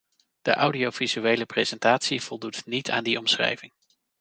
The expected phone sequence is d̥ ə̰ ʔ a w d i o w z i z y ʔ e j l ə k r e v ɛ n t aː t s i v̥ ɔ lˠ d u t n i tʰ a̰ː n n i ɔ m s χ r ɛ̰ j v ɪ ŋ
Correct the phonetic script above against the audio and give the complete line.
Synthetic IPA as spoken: d̥ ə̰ ʔ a w d i o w v i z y e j l ə p r e z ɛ n t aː t s i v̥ ɔ lˠ d u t n i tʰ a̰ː n d i ɔ m s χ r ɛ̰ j v ɪ ŋ